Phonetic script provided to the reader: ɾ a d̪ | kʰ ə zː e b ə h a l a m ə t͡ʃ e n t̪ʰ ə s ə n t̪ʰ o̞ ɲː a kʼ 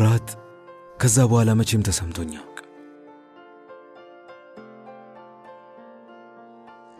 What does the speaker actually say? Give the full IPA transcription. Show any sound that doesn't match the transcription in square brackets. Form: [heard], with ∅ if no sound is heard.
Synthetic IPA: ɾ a [t̪] | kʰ ə zː [a] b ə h a l a m ə t͡ʃ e [m] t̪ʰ ə s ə [m] t̪ʰ o̞ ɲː a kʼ